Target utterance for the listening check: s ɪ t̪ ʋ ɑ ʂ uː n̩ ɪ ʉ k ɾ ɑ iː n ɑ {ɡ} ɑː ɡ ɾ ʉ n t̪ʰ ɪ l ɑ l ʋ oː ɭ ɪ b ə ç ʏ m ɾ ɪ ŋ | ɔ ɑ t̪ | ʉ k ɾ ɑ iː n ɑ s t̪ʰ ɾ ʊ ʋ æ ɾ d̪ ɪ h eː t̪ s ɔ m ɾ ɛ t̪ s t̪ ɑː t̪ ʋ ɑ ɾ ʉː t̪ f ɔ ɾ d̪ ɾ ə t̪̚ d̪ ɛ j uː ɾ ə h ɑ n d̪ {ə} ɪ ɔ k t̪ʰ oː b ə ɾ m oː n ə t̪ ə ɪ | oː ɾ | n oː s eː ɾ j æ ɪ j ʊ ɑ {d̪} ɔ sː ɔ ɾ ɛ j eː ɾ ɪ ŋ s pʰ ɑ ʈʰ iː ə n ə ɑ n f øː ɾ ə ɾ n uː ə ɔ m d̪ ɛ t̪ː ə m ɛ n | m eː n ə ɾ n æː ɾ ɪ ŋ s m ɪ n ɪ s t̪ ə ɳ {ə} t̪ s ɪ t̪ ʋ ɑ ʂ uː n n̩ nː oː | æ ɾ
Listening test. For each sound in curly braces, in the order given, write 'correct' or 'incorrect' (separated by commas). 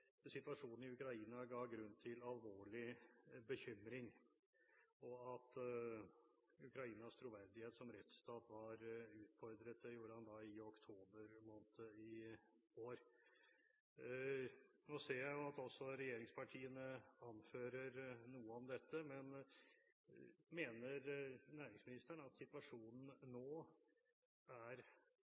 correct, incorrect, incorrect, incorrect